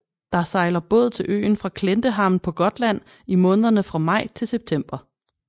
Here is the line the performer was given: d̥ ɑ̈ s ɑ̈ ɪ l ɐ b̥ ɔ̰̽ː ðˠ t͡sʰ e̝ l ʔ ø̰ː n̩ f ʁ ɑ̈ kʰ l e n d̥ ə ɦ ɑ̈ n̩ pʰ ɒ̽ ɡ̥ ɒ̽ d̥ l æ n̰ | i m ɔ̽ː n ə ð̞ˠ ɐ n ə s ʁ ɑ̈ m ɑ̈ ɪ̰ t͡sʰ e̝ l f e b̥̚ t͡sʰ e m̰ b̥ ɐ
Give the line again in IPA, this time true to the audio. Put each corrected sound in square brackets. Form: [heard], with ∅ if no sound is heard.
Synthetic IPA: d̥ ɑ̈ s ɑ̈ ɪ l ɐ b̥ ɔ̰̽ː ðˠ t͡sʰ e̝ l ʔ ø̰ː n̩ f ʁ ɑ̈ kʰ l e n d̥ ə ɦ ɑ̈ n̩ pʰ ɒ̽ ɡ̥ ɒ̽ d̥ l æ n̰ | i m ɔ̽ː n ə ð̞ˠ ɐ n ə [f] ʁ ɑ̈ m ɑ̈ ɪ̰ t͡sʰ e̝ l [s] e b̥̚ t͡sʰ e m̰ b̥ ɐ

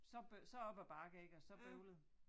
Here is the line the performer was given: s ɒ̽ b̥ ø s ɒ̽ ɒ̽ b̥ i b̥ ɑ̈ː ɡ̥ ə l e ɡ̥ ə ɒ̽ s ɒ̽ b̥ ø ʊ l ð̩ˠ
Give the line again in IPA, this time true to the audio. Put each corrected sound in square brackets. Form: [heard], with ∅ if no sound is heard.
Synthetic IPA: s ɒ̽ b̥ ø s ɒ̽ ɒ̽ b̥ [æ] b̥ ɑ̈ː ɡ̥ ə [∅] e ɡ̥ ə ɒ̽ s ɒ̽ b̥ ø ʊ l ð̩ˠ

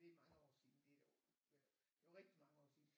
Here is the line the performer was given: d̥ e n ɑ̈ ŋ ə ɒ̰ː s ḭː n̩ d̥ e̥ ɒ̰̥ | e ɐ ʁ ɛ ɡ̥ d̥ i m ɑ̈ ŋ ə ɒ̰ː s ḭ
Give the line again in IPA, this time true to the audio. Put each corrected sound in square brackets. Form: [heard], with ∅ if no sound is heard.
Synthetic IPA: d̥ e [m] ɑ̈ ŋ ə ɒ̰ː s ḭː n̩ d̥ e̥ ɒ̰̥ | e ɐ ʁ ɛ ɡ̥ d̥ i m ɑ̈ ŋ ə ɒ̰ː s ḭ

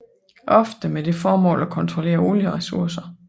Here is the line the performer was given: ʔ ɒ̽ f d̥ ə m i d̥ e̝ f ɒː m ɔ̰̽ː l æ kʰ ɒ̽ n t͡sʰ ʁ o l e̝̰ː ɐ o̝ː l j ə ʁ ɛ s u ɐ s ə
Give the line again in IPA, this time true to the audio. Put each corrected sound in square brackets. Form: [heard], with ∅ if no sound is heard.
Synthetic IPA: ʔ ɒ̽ f d̥ ə m [e] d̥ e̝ f ɒː m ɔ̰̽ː l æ kʰ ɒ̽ n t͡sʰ ʁ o l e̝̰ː ɐ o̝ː l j ə ʁ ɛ s u ɐ s [ɐ]

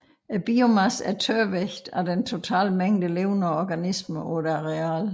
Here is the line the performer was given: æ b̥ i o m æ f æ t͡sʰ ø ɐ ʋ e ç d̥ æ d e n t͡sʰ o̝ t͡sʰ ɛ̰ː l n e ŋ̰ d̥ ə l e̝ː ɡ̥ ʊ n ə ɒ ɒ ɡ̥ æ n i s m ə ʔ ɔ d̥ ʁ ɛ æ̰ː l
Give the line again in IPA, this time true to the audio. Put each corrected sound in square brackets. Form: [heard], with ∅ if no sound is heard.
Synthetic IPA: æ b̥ i o m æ [s] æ t͡sʰ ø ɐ ʋ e ç d̥ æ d e n t͡sʰ o̝ t͡sʰ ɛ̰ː l [m] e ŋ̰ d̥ ə l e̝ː [∅] ʊ n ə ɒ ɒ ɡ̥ æ n i s m ə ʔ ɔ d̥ ʁ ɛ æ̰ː l

